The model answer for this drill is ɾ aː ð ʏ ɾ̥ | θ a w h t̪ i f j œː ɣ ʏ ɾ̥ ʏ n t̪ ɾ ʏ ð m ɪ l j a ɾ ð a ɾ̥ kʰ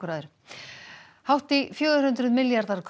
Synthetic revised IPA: ɾ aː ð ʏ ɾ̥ | h a w h t̪ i f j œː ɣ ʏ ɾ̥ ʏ n t̪ ɾ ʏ ð m ɪ l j a ɾ ð a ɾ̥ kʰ